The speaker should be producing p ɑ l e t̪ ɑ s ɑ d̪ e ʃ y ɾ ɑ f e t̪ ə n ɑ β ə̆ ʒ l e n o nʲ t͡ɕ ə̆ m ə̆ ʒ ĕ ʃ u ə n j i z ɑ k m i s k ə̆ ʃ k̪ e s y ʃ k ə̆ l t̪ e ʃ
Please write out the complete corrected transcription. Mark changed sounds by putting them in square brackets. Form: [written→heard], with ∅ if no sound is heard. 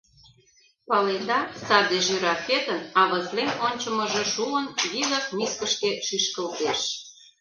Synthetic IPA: p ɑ l e [t̪→d̪] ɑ s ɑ d̪ e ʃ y ɾ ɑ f e t̪ ə n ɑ β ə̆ [ʒ→z] l e n o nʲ t͡ɕ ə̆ m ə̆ ʒ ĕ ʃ u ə n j i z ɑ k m i s k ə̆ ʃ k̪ e [s→ʃ] y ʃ k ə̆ l t̪ e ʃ